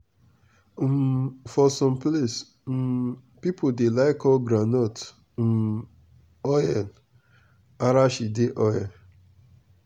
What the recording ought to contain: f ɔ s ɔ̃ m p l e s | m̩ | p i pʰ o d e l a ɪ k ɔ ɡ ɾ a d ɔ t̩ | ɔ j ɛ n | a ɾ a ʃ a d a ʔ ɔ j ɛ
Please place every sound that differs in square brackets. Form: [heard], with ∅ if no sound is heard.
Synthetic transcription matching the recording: f ɔ s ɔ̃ m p l e s | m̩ | p i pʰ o d e l a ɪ k ɔ ɡ ɾ a [n] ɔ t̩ | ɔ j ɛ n | a ɾ a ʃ [i] d [e] ʔ ɔ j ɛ